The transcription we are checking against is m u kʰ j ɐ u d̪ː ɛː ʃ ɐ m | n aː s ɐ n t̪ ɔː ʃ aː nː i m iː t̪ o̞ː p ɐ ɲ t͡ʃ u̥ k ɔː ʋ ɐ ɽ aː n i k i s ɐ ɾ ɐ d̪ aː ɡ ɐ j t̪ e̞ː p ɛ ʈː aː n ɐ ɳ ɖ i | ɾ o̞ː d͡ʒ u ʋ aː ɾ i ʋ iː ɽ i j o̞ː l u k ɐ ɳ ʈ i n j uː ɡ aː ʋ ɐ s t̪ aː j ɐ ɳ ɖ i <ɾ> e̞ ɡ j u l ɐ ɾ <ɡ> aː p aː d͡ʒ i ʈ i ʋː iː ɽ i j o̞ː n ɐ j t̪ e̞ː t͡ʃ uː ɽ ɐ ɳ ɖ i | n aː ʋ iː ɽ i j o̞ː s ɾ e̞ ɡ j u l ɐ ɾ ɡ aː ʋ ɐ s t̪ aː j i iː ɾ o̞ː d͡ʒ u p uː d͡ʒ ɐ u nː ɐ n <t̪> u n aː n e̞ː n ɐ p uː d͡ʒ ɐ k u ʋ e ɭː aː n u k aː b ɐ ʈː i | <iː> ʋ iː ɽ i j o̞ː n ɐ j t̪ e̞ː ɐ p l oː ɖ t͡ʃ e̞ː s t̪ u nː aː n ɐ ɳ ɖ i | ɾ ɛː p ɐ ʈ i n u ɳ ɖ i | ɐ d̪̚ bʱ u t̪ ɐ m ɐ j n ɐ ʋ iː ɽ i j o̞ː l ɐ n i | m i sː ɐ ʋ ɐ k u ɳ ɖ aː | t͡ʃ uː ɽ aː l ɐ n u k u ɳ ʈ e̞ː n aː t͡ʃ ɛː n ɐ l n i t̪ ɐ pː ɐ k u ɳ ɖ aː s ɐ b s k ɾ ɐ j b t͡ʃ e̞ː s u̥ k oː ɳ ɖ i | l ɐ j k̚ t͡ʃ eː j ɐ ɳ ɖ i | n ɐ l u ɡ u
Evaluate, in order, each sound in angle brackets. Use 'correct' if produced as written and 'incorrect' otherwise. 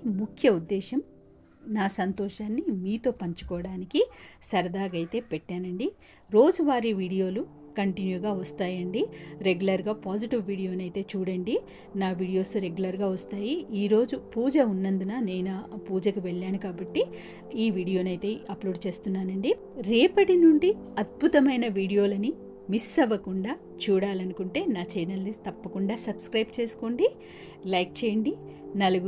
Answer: correct, correct, incorrect: d̪, correct

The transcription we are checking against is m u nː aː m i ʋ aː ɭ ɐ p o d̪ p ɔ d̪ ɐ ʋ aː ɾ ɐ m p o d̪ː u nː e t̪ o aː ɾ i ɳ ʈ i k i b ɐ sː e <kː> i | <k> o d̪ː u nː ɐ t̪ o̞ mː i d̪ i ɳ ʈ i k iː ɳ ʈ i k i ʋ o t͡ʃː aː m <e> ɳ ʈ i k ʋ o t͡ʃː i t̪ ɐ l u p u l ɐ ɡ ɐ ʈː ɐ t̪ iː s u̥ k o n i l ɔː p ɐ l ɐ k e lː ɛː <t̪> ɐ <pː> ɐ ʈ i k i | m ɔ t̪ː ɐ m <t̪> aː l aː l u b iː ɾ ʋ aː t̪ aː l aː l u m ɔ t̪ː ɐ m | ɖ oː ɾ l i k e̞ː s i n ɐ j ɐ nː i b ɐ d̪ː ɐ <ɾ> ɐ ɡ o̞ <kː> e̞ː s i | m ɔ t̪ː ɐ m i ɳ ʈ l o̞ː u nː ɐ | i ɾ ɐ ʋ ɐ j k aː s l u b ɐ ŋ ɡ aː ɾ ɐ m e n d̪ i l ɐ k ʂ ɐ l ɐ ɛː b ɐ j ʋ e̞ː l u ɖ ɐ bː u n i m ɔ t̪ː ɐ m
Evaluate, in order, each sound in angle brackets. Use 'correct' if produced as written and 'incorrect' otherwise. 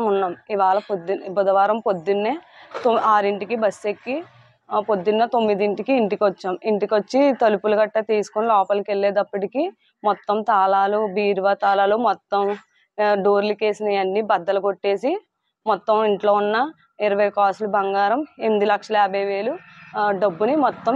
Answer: correct, incorrect: p, incorrect: i, incorrect: d̪, correct, correct, incorrect: l, incorrect: ʈː

